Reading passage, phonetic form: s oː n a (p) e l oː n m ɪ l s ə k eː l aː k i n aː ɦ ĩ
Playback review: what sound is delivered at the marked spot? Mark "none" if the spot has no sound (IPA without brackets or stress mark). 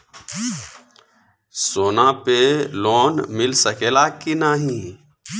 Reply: p